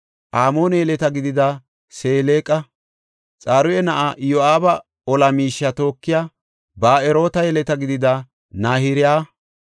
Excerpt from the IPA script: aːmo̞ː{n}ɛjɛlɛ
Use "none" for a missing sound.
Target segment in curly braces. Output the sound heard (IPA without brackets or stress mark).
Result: n